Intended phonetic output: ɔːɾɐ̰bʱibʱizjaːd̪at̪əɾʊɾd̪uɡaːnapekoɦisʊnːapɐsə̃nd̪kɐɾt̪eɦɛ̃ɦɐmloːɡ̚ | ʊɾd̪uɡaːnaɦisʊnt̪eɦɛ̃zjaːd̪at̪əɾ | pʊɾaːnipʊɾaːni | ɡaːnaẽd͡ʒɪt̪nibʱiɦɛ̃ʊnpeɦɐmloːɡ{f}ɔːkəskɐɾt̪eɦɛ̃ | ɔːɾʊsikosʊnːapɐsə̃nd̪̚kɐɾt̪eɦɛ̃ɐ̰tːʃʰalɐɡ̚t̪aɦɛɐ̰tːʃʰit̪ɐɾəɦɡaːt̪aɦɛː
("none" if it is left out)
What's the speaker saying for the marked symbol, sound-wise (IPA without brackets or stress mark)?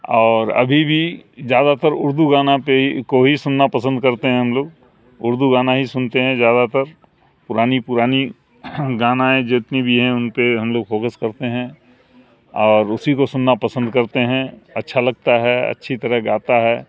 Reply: f